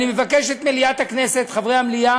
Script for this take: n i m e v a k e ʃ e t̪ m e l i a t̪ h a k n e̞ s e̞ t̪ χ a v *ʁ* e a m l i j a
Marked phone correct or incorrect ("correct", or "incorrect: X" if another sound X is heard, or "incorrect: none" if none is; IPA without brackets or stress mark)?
correct